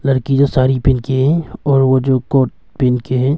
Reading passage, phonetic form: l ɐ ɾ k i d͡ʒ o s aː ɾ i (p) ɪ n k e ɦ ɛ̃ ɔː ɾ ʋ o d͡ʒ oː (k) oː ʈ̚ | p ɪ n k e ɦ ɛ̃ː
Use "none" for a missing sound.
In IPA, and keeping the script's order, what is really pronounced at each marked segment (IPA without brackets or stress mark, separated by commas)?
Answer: p, k